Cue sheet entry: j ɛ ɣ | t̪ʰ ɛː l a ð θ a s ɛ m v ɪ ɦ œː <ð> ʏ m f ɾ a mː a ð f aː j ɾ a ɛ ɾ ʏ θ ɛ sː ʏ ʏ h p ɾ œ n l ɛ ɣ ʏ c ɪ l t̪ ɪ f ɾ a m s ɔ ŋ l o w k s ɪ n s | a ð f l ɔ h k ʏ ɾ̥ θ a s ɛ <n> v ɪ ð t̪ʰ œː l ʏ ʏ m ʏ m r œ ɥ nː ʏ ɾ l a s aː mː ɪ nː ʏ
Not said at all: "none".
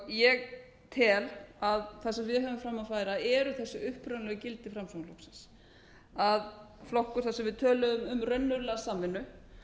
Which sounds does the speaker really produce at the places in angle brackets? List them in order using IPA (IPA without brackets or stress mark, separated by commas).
v, m